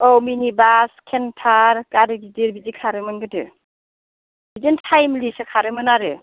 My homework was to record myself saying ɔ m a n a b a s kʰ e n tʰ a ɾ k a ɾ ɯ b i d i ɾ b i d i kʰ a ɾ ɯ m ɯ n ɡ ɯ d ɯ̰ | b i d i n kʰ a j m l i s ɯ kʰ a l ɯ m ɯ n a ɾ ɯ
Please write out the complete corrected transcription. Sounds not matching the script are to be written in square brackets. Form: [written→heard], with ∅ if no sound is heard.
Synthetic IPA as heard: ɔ m [a→i] n [a→i] b a s kʰ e n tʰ a ɾ k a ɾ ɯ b i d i ɾ b i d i kʰ a ɾ ɯ m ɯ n ɡ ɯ d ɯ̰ | b i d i n [kʰ→tʰ] a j m l i s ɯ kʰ a [l→ɾ] ɯ m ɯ n a ɾ ɯ